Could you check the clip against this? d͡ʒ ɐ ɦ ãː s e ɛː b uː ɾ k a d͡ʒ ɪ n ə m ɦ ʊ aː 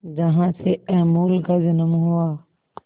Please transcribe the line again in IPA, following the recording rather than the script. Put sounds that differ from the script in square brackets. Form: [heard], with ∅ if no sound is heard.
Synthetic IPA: d͡ʒ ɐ ɦ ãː s e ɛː [m] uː [l] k a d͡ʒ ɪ n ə m ɦ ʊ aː